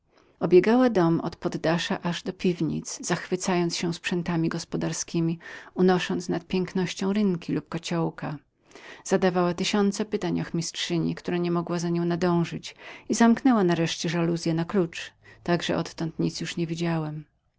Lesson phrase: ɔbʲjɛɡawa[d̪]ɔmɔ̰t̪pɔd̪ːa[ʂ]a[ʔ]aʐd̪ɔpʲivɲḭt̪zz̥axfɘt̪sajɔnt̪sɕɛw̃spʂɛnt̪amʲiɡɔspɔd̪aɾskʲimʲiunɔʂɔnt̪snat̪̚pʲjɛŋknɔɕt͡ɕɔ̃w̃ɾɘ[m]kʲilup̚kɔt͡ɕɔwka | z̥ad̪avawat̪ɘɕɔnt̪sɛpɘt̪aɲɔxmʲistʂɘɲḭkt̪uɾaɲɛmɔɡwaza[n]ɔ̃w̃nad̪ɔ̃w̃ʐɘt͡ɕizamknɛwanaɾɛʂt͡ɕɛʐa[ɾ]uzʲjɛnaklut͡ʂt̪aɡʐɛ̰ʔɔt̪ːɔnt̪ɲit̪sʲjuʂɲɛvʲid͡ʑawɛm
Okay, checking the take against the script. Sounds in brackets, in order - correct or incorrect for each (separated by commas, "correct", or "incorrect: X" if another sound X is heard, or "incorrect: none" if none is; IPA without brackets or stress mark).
correct, correct, correct, incorrect: ŋ, incorrect: ɲ, incorrect: l